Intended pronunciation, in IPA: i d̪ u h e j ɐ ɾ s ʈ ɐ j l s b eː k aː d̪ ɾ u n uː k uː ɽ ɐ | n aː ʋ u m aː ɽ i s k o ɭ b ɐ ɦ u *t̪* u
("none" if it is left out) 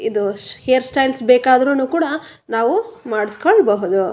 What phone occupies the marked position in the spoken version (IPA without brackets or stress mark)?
d̪